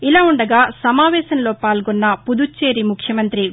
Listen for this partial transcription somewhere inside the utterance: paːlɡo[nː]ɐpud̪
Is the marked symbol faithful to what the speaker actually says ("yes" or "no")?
yes